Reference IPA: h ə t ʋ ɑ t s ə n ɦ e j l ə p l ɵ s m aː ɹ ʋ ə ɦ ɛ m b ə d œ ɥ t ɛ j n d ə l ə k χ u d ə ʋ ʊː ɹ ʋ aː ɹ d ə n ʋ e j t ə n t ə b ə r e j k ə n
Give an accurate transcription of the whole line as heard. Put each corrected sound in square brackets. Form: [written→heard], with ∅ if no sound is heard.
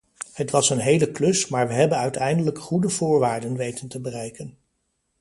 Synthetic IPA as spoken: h ə t ʋ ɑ [t→∅] s ə n ɦ e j l ə [p→k] l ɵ s m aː ɹ ʋ ə ɦ ɛ [m→∅] b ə [d→n] œ ɥ t ɛ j n d ə l ə k χ u d ə [ʋ→v] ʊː ɹ ʋ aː ɹ d ə n ʋ e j t ə n t ə b ə r [e→ɛ] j k ə n